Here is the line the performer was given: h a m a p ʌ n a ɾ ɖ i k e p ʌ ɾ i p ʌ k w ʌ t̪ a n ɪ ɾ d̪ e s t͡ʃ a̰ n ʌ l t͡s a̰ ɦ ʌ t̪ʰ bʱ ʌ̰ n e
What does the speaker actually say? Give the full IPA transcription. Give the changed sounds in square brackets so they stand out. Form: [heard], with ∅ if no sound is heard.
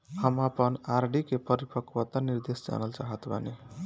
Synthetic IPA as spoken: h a m a p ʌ n a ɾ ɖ i k e p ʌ ɾ i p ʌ k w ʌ t̪ a n [i] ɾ d̪ e s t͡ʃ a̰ n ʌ l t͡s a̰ ɦ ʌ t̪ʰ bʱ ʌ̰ n e